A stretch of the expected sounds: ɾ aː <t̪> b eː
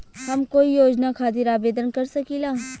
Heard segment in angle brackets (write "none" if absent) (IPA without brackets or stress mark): none